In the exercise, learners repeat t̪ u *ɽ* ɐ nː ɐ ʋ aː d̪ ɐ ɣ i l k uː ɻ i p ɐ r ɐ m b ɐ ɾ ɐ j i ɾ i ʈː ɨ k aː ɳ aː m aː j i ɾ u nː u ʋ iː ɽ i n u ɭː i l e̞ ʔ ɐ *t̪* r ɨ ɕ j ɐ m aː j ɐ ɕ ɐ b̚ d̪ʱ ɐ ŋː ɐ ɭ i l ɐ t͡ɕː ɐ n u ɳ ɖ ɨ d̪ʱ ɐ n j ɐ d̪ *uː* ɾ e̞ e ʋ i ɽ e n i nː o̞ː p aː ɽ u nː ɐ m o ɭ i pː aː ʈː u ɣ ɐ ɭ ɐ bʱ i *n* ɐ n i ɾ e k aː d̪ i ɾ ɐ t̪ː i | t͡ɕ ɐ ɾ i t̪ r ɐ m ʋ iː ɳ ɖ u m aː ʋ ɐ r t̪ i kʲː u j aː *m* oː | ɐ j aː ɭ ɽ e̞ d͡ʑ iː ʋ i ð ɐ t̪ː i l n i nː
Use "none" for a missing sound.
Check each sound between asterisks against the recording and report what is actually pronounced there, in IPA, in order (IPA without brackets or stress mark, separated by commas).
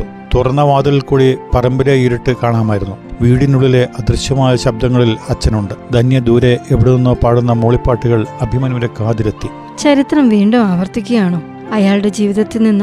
r, d̪, uː, m, ɳ